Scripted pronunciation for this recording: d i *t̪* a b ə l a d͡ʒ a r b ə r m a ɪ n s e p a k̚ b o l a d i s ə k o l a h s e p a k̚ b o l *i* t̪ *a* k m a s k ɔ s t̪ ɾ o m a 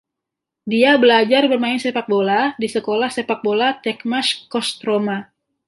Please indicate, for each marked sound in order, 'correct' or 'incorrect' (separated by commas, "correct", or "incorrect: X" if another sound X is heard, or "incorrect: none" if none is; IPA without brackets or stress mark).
incorrect: none, incorrect: a, incorrect: ɛ